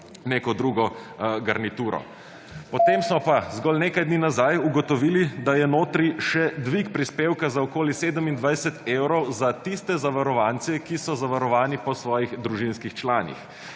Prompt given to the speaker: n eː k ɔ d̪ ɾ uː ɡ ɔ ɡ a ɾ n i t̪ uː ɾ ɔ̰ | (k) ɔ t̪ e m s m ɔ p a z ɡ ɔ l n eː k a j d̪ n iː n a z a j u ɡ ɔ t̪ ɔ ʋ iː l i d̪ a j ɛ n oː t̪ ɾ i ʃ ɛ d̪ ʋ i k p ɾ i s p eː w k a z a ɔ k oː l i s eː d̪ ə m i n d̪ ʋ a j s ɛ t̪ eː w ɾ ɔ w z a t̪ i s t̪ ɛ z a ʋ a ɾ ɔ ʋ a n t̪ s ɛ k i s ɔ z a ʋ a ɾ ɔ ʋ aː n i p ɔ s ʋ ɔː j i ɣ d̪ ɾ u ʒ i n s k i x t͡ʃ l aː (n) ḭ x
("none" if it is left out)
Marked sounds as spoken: p, n

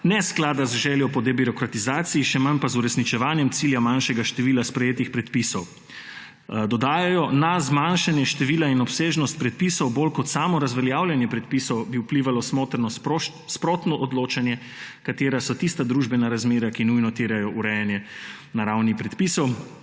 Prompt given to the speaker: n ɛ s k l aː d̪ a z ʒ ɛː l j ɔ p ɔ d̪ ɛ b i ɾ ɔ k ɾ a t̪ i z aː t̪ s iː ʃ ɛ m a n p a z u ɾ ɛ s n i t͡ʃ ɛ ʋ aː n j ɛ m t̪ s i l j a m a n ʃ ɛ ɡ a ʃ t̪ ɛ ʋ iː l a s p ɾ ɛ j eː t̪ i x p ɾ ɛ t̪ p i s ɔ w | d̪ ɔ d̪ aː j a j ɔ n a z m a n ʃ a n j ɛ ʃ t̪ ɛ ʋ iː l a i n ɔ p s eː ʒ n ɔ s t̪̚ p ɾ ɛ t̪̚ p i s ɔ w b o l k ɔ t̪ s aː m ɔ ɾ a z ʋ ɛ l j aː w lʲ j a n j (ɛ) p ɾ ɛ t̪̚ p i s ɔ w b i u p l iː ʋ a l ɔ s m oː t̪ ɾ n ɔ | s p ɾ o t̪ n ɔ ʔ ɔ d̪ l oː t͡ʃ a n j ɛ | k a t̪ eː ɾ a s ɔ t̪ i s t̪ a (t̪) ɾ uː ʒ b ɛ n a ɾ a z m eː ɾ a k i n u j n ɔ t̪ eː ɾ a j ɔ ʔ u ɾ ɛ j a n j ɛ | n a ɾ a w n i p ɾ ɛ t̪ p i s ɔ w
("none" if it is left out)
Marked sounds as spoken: ɛ, d̪

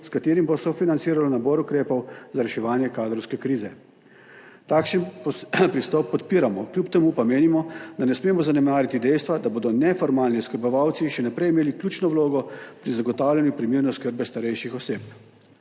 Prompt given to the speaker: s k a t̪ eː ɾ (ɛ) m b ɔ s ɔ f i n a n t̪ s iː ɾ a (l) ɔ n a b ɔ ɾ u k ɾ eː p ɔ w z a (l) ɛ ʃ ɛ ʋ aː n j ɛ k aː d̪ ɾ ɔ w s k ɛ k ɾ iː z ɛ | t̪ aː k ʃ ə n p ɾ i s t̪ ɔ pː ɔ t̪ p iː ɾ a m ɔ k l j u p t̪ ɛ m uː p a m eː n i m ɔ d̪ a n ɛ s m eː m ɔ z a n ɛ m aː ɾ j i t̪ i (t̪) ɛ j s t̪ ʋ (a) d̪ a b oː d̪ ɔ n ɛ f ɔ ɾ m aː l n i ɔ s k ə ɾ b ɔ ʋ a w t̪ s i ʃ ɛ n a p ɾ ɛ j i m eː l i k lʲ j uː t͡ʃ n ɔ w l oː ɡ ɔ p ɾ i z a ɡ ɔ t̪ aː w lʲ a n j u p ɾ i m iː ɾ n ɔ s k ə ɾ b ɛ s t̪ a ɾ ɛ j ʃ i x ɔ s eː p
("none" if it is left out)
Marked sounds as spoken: i, l, ɾ, d̪, a

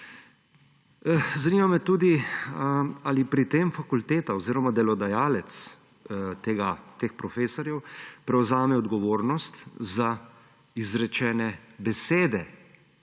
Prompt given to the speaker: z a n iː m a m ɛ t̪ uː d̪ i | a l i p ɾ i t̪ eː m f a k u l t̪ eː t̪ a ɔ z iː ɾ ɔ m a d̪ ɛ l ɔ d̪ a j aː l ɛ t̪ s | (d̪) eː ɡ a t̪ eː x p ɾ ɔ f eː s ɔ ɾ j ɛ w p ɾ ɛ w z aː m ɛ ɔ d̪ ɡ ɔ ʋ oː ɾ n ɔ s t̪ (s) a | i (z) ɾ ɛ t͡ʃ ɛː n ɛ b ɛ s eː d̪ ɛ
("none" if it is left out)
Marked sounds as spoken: t̪, z, z

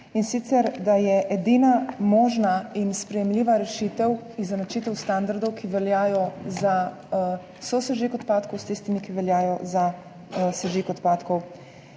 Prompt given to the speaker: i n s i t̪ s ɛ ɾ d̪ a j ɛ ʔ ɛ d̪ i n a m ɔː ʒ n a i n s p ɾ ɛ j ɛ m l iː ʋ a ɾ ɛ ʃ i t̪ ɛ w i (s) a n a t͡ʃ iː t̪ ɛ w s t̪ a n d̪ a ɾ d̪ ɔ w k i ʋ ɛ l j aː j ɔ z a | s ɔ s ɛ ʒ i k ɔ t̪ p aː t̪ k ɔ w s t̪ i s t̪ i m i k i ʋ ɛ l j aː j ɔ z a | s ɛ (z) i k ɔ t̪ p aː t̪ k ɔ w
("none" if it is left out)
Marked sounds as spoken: z, ʒ

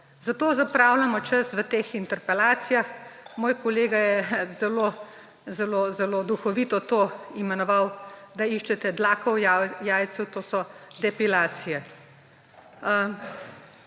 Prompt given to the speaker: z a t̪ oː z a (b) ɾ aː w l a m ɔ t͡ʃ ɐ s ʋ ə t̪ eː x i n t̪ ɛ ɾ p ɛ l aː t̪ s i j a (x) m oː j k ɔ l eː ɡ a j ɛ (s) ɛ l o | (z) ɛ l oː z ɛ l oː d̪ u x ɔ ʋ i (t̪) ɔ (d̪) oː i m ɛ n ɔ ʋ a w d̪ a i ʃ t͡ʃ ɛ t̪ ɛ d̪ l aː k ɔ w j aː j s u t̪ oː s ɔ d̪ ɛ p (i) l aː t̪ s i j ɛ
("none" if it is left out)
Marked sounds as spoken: p, x, z, z, t̪, t̪, i

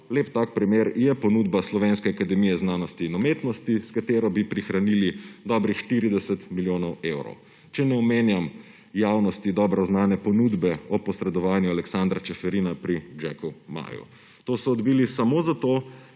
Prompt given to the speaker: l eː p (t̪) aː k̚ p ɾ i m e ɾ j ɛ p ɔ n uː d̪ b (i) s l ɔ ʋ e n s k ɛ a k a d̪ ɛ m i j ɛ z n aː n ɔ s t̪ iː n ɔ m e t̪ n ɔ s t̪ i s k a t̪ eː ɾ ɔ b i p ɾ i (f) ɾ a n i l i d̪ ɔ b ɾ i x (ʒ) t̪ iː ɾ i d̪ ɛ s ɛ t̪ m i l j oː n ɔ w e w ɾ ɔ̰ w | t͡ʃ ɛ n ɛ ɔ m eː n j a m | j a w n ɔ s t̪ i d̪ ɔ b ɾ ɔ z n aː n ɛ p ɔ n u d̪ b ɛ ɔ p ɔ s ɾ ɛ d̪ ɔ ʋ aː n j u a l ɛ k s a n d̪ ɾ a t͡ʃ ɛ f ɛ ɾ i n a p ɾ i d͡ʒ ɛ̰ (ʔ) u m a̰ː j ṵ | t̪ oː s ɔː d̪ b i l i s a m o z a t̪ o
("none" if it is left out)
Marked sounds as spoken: t̪, a, x, ʃ, k

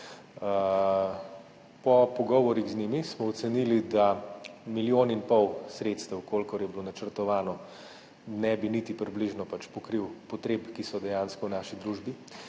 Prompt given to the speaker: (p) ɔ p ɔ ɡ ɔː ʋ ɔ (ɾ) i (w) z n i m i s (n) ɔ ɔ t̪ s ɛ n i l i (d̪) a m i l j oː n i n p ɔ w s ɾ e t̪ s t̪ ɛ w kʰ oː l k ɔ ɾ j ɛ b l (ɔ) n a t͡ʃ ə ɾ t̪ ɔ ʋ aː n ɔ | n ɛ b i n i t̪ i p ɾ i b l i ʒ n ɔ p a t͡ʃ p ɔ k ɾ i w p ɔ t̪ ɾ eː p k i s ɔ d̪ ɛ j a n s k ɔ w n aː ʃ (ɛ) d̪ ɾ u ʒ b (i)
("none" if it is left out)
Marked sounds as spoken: p, ɾ, ɣ, m, d̪, o, i, i

